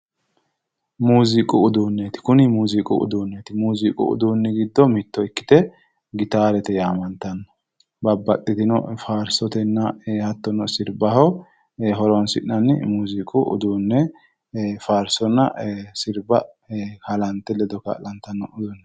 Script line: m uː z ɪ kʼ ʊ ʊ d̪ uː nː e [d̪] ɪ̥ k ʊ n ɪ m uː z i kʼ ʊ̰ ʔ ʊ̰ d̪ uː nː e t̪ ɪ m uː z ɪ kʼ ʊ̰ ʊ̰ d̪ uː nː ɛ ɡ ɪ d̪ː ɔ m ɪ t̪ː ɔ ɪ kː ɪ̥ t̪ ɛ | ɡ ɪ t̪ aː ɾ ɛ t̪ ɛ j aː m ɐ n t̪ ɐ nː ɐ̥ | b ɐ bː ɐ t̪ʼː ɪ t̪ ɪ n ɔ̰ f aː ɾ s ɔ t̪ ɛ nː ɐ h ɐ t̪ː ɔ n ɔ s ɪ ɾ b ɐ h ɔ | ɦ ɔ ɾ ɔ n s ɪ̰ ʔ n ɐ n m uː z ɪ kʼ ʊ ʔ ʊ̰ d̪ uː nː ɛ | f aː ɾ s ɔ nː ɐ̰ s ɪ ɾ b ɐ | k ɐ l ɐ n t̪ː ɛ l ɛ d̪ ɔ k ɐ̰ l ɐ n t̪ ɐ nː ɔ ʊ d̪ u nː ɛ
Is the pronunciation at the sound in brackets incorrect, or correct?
incorrect